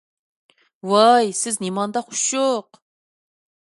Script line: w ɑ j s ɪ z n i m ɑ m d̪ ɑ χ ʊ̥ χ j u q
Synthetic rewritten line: w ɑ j s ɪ z n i m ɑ n d̪ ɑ χ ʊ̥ ʃ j o q